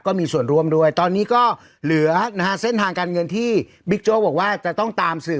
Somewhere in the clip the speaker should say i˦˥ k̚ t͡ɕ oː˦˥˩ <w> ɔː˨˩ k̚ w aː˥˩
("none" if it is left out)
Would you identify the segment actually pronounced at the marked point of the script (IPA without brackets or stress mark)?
b